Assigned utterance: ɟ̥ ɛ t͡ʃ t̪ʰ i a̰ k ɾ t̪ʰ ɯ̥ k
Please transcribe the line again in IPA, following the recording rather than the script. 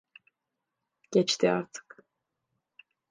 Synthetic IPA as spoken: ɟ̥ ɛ t͡ʃ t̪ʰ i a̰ ɾ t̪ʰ ɯ̥ k